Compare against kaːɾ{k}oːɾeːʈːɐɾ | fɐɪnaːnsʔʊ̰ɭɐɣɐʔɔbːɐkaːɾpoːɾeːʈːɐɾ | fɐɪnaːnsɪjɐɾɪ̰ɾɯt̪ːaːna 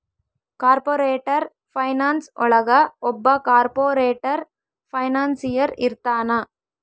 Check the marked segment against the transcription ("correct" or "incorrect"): incorrect